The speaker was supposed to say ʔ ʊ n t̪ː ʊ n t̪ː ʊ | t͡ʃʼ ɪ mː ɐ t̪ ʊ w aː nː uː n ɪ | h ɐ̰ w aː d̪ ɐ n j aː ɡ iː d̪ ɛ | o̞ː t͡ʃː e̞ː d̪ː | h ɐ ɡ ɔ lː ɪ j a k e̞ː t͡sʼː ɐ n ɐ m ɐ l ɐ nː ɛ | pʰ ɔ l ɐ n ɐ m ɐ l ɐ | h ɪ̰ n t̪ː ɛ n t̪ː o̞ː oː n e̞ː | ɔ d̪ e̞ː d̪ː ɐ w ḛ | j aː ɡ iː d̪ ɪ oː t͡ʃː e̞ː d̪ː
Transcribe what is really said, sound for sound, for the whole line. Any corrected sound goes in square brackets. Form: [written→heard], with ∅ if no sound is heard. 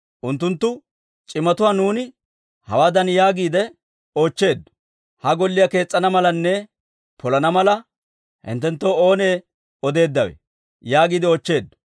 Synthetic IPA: ʔ ʊ n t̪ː ʊ n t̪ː ʊ | t͡ʃʼ ɪ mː ɐ t̪ ʊ w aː [nː→n] uː n ɪ | h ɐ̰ w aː d̪ ɐ n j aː ɡ iː d̪ ɛ | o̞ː t͡ʃː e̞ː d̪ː | h ɐ ɡ ɔ lː ɪ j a k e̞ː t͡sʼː ɐ n ɐ m ɐ l ɐ nː ɛ | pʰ ɔ l ɐ n ɐ m ɐ l ɐ | h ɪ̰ n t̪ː ɛ n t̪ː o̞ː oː n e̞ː | ɔ d̪ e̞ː d̪ː ɐ w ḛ | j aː ɡ iː d̪ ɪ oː t͡ʃː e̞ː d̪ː